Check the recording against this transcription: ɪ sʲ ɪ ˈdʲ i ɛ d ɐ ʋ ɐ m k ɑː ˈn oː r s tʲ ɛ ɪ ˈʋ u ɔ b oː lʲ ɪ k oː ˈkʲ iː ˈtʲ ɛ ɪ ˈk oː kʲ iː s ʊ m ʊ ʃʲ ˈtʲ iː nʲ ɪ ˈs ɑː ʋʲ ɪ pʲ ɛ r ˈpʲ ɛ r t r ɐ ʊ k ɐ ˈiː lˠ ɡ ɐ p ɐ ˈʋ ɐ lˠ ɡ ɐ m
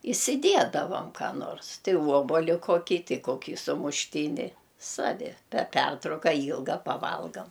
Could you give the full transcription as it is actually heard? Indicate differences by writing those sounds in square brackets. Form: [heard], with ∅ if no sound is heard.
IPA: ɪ sʲ ɪ ˈdʲ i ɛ d ɐ ʋ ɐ m k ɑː ˈn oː r s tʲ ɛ ɪ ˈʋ u ɔ b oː lʲ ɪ k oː ˈkʲ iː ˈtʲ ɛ ɪ ˈk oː kʲ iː s ʊ m ʊ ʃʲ ˈtʲ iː nʲ ɪ ˈs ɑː ʋʲ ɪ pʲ ɛ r ˈpʲ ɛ r t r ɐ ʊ k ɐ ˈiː lˠ ɡ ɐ p ɐ ˈʋ ɐ lˠ ɡ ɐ m

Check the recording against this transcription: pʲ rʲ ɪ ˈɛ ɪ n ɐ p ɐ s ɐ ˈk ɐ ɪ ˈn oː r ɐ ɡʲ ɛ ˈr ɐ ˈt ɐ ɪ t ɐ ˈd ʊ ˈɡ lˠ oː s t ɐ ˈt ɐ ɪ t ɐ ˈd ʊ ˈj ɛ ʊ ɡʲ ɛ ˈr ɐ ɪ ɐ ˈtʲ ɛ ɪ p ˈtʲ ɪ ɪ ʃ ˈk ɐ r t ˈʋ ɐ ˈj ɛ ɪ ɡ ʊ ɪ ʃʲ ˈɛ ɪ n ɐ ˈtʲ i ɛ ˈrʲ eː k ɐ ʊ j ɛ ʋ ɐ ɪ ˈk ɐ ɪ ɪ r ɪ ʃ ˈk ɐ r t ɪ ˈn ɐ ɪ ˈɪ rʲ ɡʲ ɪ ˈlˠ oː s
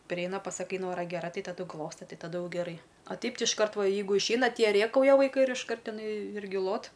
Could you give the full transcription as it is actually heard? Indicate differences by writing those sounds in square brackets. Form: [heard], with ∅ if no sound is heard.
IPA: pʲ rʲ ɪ ˈɛ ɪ n ɐ p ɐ s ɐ ˈk ɐ ɪ ˈn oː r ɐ ɡʲ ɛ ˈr ɐ ˈt ɐ ɪ t ɐ ˈd ʊ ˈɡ lˠ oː s t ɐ ˈt ɐ ɪ t ɐ ˈd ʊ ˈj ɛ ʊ ɡʲ ɛ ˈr ɐ ɪ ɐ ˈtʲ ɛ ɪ p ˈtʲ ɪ ɪ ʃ ˈk ɐ r t ˈʋ ɐ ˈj ɛ ɪ ɡ ʊ ɪ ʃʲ ˈɛ ɪ n ɐ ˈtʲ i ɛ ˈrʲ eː k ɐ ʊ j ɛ ʋ ɐ ɪ ˈk ɐ ɪ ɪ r ɪ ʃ ˈk ɐ r t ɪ ˈn ɐ ɪ ˈɪ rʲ ɡʲ ɪ ˈlˠ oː [t]

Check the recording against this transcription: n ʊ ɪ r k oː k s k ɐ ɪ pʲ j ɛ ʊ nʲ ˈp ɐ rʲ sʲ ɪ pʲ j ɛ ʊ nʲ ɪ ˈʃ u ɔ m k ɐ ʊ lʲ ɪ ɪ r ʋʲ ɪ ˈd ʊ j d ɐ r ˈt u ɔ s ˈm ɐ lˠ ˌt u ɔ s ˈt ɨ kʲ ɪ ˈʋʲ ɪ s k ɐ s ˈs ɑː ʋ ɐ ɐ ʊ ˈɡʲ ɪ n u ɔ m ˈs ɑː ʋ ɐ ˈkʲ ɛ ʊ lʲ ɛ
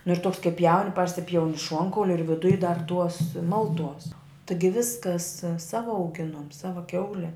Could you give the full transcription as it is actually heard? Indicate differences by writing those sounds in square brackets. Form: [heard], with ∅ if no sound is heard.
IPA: n ʊ ɪ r [t] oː k s k ɐ ɪ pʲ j ɛ ʊ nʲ ˈp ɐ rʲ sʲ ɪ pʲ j ɛ ʊ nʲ ɪ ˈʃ u ɔ [ŋ] k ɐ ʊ lʲ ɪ ɪ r ʋʲ ɪ ˈd ʊ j d ɐ r ˈt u ɔ s ˈm ɐ lˠ ˌt u ɔ s ˈt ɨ [ɡʲ] ɪ ˈʋʲ ɪ s k ɐ s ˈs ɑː ʋ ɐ ɐ ʊ ˈɡʲ ɪ n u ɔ m ˈs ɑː ʋ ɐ ˈkʲ ɛ ʊ lʲ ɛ

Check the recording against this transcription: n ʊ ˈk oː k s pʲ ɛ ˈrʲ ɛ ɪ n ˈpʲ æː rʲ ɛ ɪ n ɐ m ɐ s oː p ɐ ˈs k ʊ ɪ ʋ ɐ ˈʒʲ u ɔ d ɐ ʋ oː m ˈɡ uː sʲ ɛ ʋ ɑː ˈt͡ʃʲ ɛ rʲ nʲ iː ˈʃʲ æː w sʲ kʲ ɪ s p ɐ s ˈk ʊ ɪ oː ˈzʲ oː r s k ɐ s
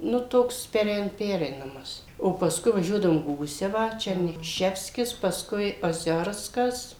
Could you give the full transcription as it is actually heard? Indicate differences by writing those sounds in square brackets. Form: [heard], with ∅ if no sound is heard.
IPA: n ʊ [ˈt] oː k s pʲ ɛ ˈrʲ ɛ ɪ n ˈpʲ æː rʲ ɛ ɪ n ɐ m ɐ s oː p ɐ ˈs k ʊ ɪ ʋ ɐ ˈʒʲ u ɔ d ɐ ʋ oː m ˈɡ uː sʲ ɛ ʋ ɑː ˈt͡ʃʲ ɛ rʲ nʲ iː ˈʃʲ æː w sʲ kʲ ɪ s p ɐ s ˈk ʊ ɪ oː ˈzʲ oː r s k ɐ s

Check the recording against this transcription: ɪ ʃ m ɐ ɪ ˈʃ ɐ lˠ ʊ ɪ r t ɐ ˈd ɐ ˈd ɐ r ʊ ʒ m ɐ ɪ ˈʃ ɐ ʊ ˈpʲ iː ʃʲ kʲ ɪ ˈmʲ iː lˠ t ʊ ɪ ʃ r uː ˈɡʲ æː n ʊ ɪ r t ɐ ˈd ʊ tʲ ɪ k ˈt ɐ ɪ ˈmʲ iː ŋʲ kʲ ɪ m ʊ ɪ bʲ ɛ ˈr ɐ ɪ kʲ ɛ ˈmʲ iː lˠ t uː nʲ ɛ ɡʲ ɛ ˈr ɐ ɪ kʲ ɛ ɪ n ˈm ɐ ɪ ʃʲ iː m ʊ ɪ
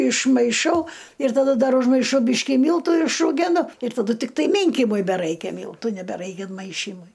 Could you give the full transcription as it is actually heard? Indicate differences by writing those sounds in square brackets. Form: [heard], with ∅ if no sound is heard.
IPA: ɪ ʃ m ɐ ɪ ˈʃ ɐ [∅] ʊ ɪ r t ɐ ˈd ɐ ˈd ɐ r ʊ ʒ m ɐ ɪ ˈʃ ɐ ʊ [ˈbʲ] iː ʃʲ kʲ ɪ ˈmʲ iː lˠ t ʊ ɪ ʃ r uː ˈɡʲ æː n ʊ ɪ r t ɐ ˈd ʊ tʲ ɪ k ˈt ɐ ɪ ˈmʲ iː ŋʲ kʲ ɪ m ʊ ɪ bʲ ɛ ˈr ɐ ɪ kʲ ɛ ˈmʲ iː lˠ t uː nʲ ɛ [bʲ] ɛ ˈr ɐ ɪ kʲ ɛ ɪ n ˈm ɐ ɪ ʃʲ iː m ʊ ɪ

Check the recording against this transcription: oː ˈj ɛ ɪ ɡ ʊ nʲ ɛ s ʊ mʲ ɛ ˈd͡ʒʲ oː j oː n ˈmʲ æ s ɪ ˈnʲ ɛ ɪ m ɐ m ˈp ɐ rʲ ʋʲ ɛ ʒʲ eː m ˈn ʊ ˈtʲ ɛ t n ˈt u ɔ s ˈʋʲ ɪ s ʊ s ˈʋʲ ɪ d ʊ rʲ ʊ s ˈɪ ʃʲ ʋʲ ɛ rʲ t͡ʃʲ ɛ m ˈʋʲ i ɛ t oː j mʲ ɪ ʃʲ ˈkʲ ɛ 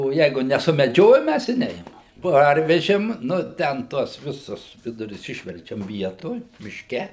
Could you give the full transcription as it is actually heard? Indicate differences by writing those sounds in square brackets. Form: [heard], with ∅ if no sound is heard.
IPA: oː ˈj ɛ ɪ ɡ ʊ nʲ ɛ s ʊ mʲ ɛ ˈd͡ʒʲ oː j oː [m] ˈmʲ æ s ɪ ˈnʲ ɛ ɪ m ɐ m ˈp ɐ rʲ ʋʲ ɛ ʒʲ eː m ˈn ʊ ˈtʲ ɛ [∅] n ˈt u ɔ s ˈʋʲ ɪ s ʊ s ˈʋʲ ɪ d ʊ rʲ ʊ s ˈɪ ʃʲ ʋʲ ɛ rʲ t͡ʃʲ ɛ m ˈʋʲ i ɛ t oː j mʲ ɪ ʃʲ ˈkʲ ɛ

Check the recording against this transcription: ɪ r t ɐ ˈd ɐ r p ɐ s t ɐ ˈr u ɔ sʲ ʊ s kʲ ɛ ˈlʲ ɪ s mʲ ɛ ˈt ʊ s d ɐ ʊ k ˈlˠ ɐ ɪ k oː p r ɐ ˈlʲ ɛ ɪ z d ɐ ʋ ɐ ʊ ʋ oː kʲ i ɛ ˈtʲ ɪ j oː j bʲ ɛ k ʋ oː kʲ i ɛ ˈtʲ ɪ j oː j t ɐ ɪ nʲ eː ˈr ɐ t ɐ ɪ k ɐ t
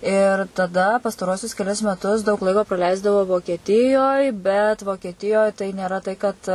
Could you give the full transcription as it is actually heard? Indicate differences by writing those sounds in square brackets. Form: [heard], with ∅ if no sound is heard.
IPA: ɪ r t ɐ ˈd ɐ [∅] p ɐ s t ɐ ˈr u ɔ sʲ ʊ s kʲ ɛ ˈlʲ ɪ s mʲ ɛ ˈt ʊ s d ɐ ʊ k ˈlˠ ɐ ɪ k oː p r ɐ ˈlʲ ɛ ɪ z d ɐ ʋ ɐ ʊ ʋ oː kʲ i ɛ ˈtʲ ɪ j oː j bʲ ɛ [t] ʋ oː kʲ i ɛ ˈtʲ ɪ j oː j t ɐ ɪ nʲ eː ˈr ɐ t ɐ ɪ k ɐ t

